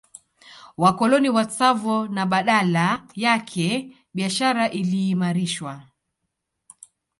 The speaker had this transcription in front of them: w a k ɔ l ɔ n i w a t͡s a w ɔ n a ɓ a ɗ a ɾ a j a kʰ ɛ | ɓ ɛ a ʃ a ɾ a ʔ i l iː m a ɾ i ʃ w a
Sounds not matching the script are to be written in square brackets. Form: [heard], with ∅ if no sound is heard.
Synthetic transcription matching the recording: w a k ɔ l ɔ n i w a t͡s a [v] ɔ n a ɓ a ɗ a [l] a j a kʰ ɛ | ɓ [i] a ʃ a ɾ a ʔ i l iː m a ɾ i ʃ w a